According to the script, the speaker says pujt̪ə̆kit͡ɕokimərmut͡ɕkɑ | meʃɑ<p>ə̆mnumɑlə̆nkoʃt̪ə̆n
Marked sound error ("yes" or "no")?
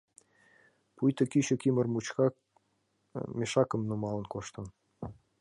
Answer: yes